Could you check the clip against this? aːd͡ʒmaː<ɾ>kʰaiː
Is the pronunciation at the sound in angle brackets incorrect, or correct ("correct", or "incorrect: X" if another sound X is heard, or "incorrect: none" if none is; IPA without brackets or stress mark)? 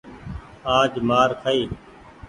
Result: correct